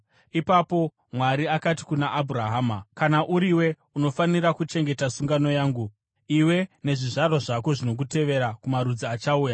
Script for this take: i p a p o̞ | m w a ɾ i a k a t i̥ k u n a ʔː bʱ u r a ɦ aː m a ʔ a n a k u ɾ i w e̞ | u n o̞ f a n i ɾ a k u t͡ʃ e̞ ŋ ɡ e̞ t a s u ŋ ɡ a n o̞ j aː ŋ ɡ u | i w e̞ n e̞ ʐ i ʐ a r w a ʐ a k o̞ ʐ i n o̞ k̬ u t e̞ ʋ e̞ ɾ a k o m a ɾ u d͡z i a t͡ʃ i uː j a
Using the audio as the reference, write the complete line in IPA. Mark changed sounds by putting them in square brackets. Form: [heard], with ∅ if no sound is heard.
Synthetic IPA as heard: i p a p o̞ | m w a ɾ i a k a t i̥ k u n a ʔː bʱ u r a ɦ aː m a [k] a n a [ʔ] u ɾ i w e̞ | u n o̞ f a n i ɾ a k u t͡ʃ e̞ ŋ ɡ e̞ t a s u ŋ ɡ a n o̞ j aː ŋ ɡ u | i w e̞ n e̞ ʐ i ʐ a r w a ʐ a k o̞ ʐ i n o̞ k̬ u t e̞ ʋ e̞ ɾ a k [u] m a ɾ u d͡z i a t͡ʃ [a] uː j a